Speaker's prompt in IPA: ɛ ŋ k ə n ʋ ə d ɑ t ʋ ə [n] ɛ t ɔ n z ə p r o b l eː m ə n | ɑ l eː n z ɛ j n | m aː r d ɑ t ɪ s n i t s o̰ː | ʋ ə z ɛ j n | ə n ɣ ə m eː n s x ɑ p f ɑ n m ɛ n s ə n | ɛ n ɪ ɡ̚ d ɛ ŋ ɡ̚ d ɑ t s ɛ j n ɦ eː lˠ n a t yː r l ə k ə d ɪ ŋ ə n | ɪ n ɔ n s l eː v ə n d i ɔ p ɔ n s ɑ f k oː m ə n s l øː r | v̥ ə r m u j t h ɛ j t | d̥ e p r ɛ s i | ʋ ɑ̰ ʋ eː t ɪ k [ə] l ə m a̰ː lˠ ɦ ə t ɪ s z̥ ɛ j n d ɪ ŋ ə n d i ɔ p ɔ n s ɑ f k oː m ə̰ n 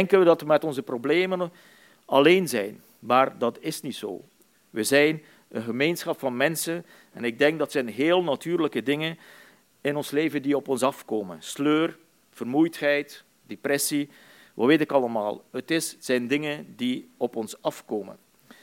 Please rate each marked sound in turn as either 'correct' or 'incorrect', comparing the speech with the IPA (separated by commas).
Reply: incorrect, incorrect